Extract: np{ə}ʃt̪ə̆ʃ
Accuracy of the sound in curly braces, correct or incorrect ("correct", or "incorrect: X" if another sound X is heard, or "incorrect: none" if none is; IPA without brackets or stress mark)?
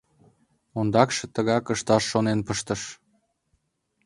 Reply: correct